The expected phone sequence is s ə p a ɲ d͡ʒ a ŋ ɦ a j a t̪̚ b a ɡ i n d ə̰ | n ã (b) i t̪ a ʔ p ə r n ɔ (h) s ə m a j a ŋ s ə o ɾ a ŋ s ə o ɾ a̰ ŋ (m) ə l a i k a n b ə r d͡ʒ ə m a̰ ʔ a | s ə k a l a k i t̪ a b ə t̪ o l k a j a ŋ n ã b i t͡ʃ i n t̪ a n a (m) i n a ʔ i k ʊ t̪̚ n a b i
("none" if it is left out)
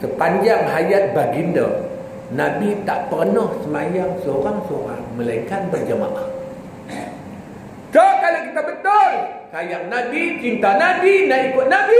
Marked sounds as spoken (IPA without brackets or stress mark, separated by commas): b, h, m, b